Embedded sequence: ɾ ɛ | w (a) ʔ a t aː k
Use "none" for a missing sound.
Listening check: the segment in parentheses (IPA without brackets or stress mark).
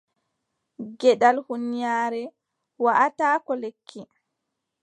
a